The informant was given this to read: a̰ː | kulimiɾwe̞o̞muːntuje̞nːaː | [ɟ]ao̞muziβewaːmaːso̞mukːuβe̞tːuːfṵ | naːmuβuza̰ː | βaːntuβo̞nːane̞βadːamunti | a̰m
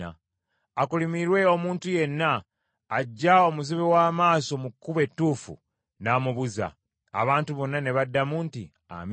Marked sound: incorrect: ɟː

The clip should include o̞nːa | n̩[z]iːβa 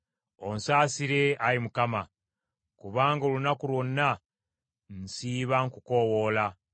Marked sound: incorrect: s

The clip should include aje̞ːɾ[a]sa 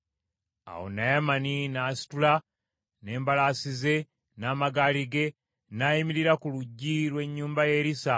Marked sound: incorrect: i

